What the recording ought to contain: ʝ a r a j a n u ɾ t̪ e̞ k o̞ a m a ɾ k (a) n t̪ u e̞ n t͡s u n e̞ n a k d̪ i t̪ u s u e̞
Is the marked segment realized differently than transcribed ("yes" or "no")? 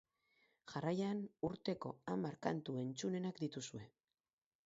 no